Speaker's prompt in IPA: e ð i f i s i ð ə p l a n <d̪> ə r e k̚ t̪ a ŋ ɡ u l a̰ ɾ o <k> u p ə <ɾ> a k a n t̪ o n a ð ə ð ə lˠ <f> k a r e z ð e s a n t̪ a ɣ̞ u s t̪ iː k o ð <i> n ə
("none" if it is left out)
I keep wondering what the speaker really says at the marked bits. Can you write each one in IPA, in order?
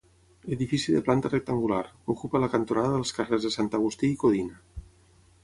t̪, k, l, s, i

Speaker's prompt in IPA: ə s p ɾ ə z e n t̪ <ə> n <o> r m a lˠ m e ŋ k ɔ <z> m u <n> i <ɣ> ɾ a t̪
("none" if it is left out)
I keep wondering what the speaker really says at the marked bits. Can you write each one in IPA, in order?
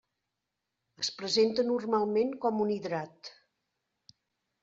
ə, u, none, n, ð

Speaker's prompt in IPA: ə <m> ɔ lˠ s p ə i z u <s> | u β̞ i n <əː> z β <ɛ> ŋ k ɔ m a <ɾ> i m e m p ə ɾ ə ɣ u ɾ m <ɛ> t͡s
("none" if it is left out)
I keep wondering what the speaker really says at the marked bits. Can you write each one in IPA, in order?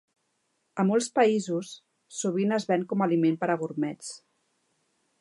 m, sː, ə, ɛ, l, ɛ

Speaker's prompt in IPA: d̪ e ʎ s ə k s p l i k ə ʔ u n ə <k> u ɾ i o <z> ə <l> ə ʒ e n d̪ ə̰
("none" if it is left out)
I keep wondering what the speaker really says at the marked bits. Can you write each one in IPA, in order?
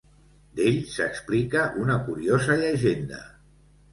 k, z, ʎ

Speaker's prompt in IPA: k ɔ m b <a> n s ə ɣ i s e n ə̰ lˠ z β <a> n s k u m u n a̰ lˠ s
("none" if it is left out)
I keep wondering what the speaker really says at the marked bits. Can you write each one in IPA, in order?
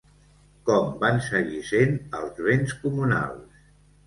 a, e

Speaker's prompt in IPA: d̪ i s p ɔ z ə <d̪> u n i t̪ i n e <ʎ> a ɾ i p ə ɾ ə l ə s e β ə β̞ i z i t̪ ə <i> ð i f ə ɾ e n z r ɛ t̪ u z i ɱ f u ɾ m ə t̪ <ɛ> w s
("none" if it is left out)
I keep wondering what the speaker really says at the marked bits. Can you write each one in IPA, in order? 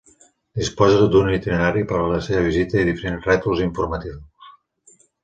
d̪, ɾ, i, i

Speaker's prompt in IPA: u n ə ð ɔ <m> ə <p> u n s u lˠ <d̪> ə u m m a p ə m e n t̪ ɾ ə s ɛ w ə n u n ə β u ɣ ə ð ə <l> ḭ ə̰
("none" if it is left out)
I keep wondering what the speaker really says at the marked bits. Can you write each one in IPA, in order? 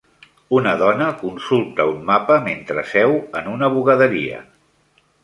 n, k, t̪, ɾ

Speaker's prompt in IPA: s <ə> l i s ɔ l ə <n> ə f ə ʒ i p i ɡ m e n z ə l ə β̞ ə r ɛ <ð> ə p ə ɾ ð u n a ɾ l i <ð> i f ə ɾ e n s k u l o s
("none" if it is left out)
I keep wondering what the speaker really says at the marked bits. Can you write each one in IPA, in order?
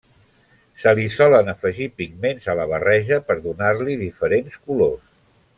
ə, n, ʒ, ð

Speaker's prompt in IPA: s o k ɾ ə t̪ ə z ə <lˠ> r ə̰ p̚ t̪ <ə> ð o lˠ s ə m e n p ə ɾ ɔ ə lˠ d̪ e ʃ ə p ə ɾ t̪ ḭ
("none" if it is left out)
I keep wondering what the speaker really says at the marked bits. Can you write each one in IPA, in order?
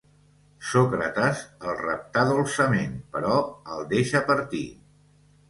lˠ, a

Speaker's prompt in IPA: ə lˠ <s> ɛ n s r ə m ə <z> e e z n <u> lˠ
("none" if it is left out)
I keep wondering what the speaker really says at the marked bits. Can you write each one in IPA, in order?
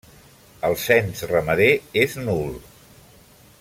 s, ð, u

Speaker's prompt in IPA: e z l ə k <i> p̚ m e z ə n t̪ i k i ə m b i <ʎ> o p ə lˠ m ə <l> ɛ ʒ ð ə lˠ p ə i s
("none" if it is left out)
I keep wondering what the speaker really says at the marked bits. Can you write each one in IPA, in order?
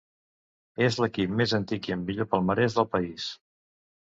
i, ʎ, ɾ

